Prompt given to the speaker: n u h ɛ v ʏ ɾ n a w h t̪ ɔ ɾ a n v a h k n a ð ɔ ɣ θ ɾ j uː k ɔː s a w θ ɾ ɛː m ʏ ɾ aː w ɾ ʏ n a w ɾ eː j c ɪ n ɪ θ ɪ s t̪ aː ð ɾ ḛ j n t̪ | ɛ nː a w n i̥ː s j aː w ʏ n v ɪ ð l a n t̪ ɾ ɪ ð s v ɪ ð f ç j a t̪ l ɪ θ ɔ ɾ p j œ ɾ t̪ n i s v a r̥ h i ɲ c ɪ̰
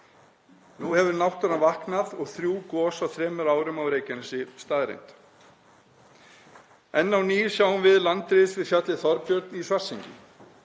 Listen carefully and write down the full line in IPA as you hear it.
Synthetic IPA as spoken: n u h ɛ v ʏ ɾ n a w h t̪ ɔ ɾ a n v a h k n a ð ɔ ɣ θ ɾ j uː k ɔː s a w θ ɾ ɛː m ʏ ɾ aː w ɾ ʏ m a w ɾ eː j c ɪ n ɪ s ɪ s t̪ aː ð ɾ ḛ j n t̪ | ɛ nː a w n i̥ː s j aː w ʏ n v ɪ ð l a n t̪ ɾ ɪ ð s v ɪ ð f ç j a t̪ l ɪ θ ɔ ɾ p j œ ɾ t̪ n i s v a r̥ s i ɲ c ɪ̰